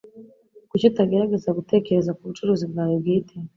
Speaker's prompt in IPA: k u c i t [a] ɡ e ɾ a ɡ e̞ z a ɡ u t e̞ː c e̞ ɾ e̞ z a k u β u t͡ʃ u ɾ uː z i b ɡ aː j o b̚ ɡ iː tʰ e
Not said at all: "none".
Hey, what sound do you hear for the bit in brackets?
a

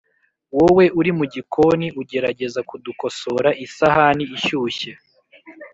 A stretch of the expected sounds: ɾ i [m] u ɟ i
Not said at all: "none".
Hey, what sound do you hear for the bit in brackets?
m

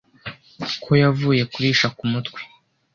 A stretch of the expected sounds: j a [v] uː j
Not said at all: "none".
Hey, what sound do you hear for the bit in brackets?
v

